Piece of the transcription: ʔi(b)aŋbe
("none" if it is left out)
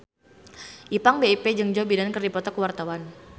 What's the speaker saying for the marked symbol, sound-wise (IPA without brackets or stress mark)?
p